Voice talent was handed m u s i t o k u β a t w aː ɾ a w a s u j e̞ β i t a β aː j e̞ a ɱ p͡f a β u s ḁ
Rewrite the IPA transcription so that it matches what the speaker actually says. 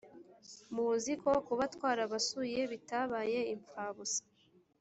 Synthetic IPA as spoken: m u z i k o k u β a t w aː ɾ a β a s u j e̞ β i t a β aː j e̞ i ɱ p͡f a β u s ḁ

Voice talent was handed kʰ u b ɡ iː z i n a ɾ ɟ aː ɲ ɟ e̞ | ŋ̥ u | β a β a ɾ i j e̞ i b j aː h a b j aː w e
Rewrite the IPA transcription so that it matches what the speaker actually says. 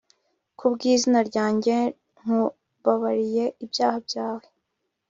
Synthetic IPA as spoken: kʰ u b ɡ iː z i n a ɾ ɟ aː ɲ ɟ e̞ | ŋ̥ u | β a β a ɾ i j e̞ i b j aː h a b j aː w e

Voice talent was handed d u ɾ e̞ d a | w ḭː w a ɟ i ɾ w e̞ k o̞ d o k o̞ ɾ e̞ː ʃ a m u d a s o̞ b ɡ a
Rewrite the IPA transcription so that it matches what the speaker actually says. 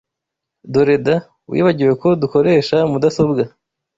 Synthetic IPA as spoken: d o ɾ e̞ d a | w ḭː β a ɟ i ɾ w e̞ k o̞ d u k o̞ ɾ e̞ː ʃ a m u d a s o̞ b ɡ a

